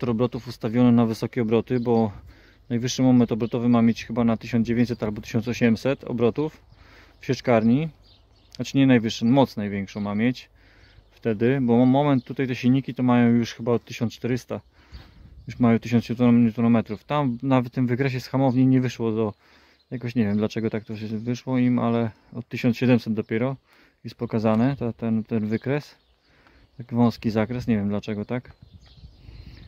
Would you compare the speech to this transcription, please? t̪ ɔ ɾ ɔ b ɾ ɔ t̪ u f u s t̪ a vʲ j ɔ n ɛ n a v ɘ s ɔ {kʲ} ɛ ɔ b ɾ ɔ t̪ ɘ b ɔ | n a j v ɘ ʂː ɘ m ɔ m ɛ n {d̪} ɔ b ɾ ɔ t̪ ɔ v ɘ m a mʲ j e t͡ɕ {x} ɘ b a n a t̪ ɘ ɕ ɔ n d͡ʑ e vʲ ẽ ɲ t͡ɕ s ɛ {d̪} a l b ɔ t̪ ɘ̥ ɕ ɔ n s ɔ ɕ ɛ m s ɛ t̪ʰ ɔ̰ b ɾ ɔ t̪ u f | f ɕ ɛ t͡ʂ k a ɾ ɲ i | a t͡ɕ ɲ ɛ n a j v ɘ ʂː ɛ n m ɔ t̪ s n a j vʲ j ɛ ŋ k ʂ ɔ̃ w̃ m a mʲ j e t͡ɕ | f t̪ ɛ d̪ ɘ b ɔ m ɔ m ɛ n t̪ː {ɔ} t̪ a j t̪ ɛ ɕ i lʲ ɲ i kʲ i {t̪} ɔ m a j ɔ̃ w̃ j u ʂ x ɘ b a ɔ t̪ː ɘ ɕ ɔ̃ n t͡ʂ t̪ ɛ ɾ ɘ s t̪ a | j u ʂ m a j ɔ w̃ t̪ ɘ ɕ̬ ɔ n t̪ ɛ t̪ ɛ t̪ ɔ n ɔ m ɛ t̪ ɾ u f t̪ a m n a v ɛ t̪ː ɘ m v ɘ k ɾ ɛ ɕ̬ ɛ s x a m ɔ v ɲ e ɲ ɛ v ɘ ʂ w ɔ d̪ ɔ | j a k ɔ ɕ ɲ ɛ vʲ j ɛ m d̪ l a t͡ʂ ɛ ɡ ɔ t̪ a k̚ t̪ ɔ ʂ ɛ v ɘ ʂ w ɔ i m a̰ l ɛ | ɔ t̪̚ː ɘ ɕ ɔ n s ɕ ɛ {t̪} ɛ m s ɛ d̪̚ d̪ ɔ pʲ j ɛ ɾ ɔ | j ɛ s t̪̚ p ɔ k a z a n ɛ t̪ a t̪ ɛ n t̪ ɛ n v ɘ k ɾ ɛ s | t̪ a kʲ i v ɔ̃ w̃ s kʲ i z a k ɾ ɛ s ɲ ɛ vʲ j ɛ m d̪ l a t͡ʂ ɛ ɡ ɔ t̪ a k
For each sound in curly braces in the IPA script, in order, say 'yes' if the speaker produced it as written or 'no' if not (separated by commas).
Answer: yes, no, yes, no, no, yes, no